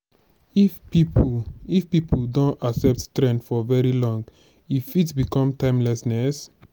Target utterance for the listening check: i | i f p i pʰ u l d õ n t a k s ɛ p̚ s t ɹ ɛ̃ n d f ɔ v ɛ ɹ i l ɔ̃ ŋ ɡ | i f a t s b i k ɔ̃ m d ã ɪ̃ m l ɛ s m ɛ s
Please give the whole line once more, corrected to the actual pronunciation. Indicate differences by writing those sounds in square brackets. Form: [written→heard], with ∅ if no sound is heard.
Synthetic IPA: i | i f p i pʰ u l d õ n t a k s ɛ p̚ [s→t] t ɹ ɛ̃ n d f ɔ v ɛ ɹ i l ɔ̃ ŋ ɡ | i f [a→i] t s b i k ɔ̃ m [d→t] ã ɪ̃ m l ɛ s [m→n] ɛ s